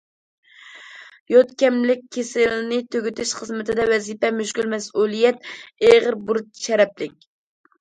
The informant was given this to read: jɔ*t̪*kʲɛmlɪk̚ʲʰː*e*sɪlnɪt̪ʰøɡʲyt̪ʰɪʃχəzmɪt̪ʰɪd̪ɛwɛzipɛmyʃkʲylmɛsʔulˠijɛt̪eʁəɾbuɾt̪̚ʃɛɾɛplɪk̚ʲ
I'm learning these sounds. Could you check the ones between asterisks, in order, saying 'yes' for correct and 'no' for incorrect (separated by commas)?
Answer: yes, yes